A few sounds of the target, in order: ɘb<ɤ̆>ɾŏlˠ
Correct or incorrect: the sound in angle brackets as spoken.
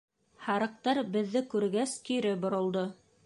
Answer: incorrect: ŏ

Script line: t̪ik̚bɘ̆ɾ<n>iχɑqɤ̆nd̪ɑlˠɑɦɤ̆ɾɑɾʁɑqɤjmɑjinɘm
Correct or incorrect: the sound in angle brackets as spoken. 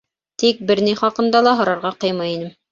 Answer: correct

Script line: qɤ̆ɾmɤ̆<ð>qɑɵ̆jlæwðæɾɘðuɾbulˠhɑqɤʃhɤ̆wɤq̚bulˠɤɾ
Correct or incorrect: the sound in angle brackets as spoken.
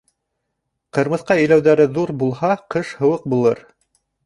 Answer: incorrect: θ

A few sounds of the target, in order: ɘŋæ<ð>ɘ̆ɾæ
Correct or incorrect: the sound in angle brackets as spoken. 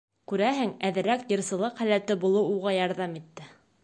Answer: correct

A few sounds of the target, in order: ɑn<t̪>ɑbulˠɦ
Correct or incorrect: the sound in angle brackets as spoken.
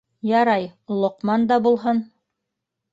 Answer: incorrect: d̪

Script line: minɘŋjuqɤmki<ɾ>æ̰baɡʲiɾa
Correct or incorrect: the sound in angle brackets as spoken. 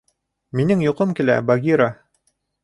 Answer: incorrect: l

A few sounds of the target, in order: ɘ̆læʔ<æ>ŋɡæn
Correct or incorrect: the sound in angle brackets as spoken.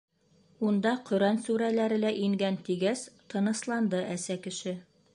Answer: incorrect: i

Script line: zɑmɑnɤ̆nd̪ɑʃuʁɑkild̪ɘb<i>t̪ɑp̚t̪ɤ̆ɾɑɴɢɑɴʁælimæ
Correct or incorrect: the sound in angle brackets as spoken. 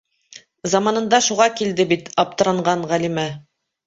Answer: correct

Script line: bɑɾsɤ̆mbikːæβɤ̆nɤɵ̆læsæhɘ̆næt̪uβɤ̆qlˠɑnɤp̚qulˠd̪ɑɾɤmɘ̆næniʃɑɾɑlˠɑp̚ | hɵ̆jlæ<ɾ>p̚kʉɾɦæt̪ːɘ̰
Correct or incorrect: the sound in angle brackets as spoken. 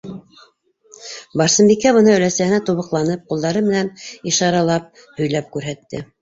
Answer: incorrect: none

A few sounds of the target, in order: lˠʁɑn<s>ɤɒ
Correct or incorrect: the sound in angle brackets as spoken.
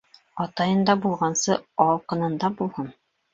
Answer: correct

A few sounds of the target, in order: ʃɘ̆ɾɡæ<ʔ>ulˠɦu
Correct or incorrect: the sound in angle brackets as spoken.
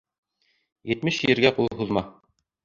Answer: incorrect: q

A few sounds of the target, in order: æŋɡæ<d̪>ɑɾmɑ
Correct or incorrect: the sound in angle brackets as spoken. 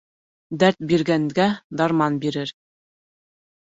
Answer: correct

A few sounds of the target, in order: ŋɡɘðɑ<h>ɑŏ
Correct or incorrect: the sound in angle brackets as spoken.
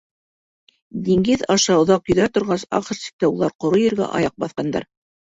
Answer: incorrect: ʃ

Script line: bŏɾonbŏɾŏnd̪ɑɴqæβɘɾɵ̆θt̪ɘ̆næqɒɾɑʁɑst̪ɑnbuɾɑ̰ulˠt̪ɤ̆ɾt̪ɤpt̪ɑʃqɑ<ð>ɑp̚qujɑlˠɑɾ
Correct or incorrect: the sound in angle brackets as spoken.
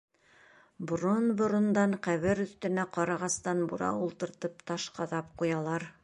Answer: correct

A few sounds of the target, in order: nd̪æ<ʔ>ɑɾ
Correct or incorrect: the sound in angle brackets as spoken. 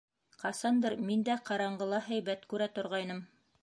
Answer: incorrect: q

